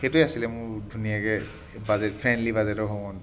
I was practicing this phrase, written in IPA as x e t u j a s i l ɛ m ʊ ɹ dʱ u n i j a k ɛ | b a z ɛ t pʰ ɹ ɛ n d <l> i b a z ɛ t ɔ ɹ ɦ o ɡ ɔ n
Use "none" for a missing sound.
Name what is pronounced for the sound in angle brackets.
l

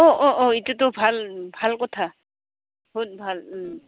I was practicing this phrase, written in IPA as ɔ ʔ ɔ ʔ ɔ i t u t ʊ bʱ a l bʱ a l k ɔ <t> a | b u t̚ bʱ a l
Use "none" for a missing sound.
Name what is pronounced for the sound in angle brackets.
tʰ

